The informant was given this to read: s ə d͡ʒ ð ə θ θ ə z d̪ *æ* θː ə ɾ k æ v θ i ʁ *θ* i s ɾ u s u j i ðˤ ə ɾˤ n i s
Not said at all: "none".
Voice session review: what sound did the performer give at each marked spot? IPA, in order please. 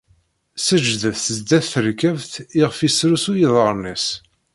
æ, f

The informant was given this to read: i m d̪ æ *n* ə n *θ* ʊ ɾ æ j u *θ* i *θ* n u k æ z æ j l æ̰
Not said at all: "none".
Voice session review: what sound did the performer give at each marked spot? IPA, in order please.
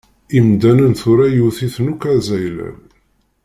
n, θ, θ, θ

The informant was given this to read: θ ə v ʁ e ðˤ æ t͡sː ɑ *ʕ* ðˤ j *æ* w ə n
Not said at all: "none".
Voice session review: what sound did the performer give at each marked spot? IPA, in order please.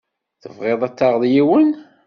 ʁ, i

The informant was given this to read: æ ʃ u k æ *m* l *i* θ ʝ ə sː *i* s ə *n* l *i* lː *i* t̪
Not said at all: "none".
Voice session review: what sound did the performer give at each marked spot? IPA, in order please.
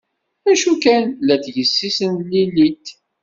n, æ, i, n, i, i

